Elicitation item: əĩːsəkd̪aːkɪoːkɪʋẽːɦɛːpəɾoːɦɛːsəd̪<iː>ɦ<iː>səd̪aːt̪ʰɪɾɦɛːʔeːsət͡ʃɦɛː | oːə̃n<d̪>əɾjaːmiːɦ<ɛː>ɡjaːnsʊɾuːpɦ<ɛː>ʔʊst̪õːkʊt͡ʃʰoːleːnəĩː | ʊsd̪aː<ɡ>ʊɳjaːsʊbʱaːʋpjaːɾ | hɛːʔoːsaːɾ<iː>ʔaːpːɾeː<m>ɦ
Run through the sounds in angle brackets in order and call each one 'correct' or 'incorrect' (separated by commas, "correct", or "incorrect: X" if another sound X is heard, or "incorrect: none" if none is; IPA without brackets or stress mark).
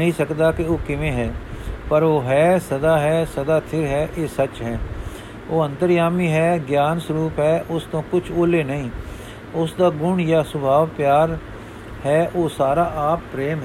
incorrect: aː, incorrect: ɛː, incorrect: t̪, correct, correct, correct, incorrect: aː, correct